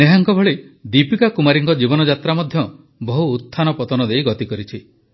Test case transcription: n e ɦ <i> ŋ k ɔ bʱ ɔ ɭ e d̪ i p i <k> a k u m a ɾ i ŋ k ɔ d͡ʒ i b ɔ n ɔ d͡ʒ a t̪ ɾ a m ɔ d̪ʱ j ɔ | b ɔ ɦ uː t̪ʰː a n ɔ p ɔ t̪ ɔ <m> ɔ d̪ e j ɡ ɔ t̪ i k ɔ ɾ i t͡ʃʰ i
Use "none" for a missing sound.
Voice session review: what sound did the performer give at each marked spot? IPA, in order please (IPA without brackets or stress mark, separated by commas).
a, k, n